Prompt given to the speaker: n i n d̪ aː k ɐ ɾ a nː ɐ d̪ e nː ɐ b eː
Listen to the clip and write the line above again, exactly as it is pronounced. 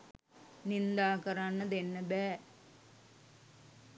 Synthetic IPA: n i n d̪ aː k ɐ ɾ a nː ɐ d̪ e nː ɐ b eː

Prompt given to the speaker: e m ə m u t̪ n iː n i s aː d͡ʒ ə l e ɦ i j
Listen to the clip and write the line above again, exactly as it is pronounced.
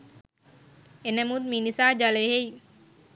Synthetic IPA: e n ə m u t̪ m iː n i s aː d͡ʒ a l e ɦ e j

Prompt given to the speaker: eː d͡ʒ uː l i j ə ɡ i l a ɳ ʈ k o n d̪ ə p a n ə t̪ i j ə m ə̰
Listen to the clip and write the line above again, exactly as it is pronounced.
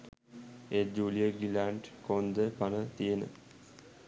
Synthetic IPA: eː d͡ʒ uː l i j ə ɡ i l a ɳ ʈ k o n d̪ ə p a n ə t̪ i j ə n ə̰

